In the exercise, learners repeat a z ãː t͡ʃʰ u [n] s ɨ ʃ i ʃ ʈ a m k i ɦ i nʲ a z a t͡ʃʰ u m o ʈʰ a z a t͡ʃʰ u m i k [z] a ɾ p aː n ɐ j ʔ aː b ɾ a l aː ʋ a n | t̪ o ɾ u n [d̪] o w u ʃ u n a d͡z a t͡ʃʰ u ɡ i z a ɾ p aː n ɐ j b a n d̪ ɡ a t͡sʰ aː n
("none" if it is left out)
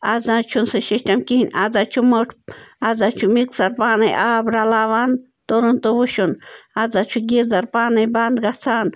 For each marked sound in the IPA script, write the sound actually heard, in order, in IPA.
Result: n, s, t̪

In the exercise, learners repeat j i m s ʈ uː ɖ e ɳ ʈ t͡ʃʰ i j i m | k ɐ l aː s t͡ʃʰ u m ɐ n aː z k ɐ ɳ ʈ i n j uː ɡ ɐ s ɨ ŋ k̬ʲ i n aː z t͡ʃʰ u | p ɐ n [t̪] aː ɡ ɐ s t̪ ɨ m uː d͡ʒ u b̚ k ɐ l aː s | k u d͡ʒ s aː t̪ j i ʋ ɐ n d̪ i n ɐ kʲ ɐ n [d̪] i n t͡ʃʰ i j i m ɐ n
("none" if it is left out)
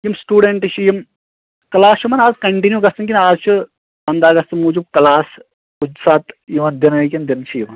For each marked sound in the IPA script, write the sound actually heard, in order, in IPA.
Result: d̪, d̪

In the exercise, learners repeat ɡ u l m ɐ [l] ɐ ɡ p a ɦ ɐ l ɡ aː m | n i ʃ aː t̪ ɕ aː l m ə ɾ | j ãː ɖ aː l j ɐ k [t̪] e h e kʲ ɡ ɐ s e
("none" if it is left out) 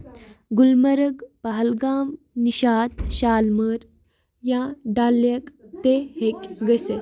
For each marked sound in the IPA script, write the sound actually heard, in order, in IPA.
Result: ɾ, t̪

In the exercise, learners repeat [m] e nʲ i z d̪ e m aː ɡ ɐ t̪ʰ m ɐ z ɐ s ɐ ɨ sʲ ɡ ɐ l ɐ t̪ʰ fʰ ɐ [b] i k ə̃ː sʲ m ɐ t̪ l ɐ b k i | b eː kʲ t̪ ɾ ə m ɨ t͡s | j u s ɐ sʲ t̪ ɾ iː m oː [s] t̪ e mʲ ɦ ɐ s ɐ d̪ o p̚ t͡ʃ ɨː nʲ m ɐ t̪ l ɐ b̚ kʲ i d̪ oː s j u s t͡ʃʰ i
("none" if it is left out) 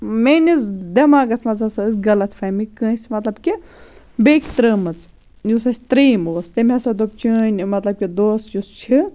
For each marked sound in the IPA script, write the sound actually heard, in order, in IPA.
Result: m, m, s

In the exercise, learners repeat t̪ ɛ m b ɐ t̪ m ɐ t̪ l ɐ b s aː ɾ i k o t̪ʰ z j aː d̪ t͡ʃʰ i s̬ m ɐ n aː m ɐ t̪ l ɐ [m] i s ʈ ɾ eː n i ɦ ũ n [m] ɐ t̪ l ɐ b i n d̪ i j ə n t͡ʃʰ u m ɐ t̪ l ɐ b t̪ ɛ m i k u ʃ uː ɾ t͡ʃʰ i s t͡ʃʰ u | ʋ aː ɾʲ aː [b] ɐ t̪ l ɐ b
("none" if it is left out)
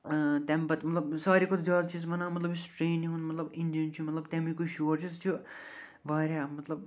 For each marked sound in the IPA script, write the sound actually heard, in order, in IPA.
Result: b, m, m

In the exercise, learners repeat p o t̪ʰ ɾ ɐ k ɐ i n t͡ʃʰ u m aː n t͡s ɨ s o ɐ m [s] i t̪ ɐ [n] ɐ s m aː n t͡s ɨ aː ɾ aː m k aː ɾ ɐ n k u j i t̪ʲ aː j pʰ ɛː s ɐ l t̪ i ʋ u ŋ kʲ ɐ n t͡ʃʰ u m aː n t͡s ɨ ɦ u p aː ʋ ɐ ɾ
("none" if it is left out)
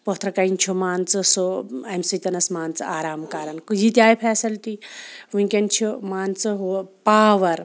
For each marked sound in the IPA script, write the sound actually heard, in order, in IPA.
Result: s, n

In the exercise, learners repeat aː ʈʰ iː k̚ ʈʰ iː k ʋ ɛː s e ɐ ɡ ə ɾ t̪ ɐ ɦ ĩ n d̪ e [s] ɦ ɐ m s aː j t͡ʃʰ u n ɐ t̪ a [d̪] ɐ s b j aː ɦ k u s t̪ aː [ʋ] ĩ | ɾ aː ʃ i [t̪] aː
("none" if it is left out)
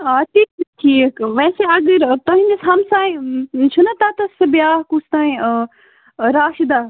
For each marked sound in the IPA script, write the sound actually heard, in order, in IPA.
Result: s, t̪, none, d̪

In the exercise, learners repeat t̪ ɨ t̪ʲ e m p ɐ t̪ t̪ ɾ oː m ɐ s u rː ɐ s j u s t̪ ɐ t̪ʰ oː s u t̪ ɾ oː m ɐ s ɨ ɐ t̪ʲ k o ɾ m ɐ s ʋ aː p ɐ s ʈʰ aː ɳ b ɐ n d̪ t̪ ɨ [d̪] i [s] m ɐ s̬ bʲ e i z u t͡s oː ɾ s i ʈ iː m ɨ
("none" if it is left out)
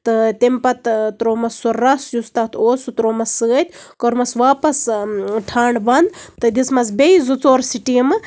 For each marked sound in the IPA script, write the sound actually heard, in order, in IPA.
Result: d̪, s

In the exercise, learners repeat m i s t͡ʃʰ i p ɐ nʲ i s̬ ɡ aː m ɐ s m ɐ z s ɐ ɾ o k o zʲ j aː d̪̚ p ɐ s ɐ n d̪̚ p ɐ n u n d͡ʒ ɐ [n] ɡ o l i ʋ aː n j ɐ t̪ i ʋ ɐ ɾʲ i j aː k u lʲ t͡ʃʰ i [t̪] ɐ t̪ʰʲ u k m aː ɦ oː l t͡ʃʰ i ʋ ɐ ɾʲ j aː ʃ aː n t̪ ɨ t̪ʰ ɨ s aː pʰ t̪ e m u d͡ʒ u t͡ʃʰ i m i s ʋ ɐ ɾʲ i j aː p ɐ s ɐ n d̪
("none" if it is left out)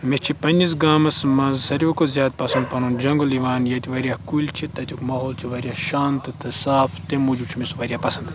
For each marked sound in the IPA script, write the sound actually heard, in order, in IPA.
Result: ŋ, t̪

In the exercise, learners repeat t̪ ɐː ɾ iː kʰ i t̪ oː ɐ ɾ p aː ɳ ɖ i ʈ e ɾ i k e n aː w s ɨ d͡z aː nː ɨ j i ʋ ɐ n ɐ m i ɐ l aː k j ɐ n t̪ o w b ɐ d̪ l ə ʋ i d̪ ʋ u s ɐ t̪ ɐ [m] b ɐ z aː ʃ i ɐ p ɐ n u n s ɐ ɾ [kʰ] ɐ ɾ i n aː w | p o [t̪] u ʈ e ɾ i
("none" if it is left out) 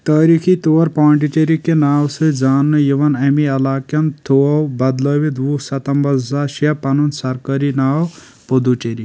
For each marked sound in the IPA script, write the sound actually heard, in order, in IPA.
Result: m, k, d̪

